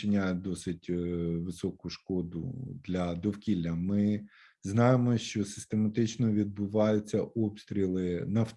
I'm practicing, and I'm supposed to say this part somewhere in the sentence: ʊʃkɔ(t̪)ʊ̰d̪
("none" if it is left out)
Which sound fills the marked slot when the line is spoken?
d̪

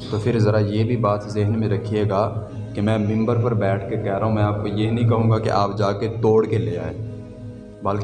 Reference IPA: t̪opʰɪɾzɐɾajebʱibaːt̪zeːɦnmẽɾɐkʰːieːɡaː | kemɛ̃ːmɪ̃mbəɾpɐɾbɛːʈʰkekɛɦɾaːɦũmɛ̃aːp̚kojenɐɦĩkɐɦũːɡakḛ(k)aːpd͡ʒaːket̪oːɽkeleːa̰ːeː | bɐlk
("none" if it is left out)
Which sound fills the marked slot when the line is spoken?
ʔ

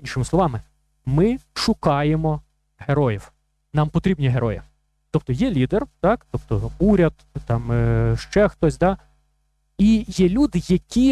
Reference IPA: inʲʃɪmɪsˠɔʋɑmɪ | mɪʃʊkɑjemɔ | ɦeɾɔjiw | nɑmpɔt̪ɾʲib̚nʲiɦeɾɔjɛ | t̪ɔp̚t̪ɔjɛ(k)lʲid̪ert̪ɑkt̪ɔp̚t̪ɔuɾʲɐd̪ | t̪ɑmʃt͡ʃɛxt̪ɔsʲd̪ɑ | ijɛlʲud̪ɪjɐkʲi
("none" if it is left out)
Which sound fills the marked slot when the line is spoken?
none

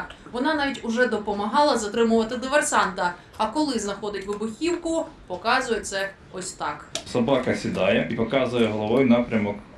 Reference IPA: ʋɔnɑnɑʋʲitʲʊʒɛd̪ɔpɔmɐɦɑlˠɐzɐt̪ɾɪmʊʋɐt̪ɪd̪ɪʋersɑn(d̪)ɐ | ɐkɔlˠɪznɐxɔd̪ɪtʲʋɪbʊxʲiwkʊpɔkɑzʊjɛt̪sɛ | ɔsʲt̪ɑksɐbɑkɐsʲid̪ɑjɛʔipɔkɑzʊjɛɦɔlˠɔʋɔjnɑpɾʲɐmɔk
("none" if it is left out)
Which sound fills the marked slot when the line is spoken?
t̪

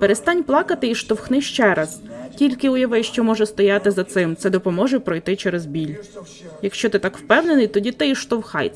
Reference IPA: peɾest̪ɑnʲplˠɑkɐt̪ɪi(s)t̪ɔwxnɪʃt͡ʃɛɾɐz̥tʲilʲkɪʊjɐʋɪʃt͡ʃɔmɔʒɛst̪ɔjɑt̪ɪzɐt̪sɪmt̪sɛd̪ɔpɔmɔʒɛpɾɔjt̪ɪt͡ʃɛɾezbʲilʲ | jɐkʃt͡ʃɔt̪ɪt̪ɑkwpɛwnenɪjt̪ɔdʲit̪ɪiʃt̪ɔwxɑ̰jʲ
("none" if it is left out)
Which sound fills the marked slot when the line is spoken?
ʃ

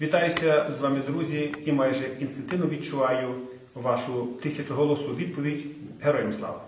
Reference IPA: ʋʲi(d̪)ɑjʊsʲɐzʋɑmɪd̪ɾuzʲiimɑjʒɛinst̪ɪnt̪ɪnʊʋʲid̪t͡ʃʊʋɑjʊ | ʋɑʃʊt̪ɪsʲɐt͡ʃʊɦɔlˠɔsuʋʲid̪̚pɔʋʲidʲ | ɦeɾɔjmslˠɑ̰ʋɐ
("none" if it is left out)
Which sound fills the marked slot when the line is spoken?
t̪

